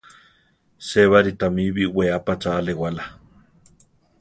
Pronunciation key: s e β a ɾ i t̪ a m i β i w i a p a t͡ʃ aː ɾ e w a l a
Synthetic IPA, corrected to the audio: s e β a ɾ i t̪ a m i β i w e a p a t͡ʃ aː l e w a l a